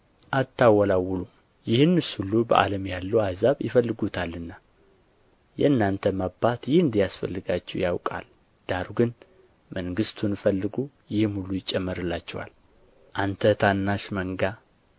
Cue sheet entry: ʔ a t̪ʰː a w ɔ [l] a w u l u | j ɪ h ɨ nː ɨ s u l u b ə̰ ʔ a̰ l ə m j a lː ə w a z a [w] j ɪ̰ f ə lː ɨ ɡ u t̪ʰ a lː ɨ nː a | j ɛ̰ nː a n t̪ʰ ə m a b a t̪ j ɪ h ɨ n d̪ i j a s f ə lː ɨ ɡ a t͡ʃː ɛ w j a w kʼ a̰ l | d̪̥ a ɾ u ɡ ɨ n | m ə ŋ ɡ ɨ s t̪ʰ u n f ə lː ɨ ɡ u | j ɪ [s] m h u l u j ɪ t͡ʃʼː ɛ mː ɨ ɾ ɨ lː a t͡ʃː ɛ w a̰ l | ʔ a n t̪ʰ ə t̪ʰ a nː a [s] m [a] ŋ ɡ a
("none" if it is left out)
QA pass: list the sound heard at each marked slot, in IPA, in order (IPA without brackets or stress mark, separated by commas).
l, β, h, ʃ, ə